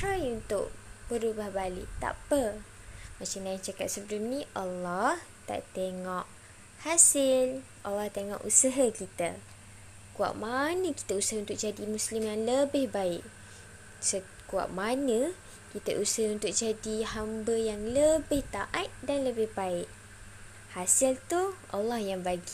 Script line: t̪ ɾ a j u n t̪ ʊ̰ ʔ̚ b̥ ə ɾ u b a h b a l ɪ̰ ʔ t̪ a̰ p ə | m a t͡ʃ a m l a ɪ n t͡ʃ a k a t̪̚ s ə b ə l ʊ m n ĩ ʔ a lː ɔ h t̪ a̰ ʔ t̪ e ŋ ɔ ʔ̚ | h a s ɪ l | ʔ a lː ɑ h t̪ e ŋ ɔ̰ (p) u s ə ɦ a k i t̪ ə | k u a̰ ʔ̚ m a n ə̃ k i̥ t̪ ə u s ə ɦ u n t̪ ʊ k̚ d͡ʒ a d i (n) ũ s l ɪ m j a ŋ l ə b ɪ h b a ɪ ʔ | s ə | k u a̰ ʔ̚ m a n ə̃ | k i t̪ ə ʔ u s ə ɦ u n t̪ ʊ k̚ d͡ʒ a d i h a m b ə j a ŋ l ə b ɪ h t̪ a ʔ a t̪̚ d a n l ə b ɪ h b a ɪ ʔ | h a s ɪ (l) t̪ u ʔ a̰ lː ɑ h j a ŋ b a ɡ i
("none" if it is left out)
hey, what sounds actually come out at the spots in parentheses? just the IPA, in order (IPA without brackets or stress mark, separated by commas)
ʔ, m, l